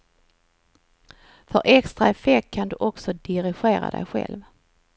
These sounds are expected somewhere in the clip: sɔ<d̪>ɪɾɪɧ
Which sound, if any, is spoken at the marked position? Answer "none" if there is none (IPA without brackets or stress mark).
d̪